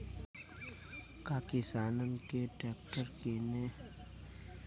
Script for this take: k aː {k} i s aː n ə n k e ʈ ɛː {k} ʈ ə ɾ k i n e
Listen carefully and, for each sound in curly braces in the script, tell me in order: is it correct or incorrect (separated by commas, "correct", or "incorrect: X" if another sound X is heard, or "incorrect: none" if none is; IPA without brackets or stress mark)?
correct, correct